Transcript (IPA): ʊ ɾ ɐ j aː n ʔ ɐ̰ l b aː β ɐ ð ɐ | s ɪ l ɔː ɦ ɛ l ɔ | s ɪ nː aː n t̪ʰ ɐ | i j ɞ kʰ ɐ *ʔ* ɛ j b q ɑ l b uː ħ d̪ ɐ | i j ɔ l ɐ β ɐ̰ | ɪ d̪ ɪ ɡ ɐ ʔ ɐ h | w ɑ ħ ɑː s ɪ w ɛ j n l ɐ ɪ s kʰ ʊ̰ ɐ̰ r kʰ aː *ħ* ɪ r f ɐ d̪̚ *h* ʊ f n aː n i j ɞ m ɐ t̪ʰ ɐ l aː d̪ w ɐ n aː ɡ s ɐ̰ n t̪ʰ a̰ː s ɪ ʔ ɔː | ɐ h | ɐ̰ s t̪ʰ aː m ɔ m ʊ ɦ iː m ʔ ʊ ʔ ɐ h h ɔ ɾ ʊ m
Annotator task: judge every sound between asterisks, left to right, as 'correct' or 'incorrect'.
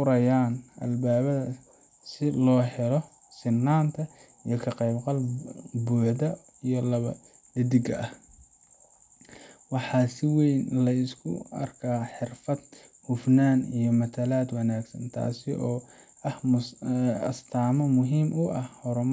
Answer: incorrect: q, correct, correct

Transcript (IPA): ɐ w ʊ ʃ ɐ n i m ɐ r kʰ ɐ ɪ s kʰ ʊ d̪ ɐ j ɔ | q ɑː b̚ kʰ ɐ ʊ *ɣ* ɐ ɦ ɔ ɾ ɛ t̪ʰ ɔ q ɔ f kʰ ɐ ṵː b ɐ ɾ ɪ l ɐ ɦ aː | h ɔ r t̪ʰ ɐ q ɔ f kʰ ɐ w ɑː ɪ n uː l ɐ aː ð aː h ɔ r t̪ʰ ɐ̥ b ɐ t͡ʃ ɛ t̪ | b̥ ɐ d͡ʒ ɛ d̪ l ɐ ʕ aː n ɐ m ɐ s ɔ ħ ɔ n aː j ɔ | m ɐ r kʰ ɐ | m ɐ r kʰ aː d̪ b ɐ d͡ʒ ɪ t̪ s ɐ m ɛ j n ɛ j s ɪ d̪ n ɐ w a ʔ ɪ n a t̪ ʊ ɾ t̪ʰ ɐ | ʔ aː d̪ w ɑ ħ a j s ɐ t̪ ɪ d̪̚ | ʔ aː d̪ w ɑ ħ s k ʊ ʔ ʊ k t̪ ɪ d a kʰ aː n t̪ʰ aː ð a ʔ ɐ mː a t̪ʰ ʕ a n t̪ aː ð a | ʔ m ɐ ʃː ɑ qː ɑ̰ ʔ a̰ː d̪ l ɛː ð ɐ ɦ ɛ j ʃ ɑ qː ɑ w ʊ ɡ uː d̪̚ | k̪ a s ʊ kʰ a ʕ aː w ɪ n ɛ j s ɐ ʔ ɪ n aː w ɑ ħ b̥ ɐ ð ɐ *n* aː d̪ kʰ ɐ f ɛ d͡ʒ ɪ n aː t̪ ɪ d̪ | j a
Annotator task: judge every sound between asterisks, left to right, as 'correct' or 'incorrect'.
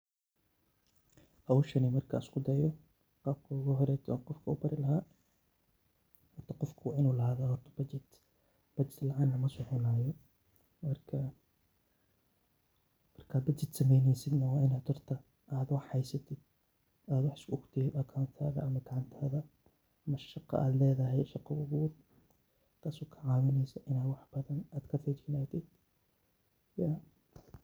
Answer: correct, correct

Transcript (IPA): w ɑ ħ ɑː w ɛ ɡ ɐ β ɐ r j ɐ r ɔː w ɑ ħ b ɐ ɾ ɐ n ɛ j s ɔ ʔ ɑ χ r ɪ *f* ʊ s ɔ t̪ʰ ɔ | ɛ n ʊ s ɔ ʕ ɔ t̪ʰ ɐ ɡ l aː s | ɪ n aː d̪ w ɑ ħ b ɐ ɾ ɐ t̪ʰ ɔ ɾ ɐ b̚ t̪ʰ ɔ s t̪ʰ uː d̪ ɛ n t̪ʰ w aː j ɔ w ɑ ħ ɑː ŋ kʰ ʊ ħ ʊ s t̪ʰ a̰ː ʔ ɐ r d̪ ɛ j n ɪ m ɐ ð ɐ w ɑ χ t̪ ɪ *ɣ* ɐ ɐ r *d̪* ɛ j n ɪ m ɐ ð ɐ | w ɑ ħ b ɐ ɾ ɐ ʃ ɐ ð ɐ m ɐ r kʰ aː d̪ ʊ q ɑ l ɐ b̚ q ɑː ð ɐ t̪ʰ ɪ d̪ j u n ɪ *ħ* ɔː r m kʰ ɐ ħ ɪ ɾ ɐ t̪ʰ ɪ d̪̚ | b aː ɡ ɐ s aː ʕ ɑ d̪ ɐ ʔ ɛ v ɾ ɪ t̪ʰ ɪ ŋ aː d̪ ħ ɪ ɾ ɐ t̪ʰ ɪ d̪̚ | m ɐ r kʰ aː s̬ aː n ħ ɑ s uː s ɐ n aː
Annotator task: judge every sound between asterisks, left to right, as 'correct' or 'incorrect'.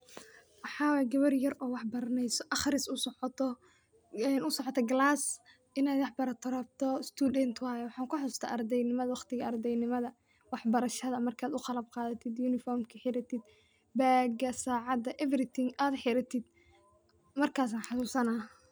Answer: incorrect: s, correct, correct, incorrect: f

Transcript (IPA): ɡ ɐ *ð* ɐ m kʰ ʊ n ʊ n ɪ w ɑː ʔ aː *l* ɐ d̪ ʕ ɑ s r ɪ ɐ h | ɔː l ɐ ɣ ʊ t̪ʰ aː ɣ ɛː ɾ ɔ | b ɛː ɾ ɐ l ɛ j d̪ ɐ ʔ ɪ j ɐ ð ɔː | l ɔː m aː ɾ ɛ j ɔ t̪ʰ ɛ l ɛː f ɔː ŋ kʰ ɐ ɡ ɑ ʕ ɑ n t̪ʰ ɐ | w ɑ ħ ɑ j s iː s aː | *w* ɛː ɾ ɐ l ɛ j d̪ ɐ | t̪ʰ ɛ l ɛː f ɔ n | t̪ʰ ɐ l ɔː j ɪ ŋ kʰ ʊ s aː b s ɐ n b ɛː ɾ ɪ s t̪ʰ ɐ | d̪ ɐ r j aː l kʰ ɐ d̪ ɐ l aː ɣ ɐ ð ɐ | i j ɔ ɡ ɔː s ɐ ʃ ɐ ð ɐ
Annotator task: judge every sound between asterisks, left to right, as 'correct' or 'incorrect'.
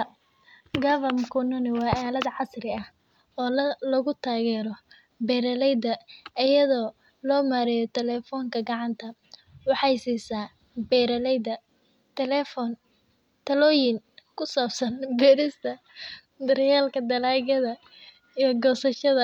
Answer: incorrect: v, correct, incorrect: b

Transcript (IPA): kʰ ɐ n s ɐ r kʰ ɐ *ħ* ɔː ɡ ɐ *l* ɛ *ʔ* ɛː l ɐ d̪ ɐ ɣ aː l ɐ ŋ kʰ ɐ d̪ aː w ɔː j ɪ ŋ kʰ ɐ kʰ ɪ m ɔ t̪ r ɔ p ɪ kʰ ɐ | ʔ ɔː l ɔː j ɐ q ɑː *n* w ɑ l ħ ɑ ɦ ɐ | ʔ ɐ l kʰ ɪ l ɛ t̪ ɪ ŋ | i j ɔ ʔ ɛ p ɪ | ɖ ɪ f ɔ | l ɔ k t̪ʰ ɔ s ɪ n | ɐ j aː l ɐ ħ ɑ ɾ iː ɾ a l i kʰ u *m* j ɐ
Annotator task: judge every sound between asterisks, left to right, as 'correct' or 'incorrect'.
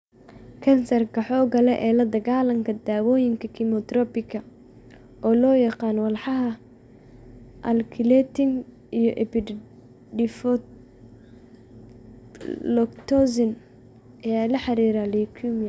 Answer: correct, correct, correct, correct, correct

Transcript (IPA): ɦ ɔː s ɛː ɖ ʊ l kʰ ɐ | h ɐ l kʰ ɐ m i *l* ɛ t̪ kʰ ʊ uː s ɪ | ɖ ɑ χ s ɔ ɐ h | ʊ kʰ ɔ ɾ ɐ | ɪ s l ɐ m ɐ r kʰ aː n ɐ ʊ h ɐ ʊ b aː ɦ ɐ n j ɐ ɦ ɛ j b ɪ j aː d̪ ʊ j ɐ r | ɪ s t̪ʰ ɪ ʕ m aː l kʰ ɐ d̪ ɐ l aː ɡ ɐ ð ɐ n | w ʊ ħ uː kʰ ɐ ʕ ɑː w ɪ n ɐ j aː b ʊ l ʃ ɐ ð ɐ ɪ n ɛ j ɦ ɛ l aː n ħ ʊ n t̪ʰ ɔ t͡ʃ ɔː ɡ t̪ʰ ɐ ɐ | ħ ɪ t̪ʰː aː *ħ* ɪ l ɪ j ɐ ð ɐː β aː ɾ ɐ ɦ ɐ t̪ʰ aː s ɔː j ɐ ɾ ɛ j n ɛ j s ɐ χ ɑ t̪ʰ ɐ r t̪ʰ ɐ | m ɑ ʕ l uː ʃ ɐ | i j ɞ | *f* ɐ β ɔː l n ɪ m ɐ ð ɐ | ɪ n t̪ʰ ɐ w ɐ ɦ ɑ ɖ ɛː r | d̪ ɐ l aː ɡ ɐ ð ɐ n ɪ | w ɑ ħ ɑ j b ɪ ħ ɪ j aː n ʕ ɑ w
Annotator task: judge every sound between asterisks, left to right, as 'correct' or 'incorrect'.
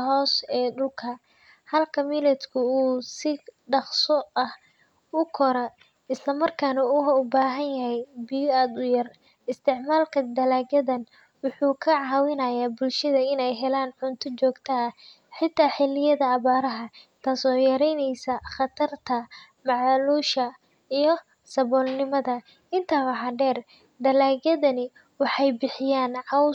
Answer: correct, correct, incorrect: s

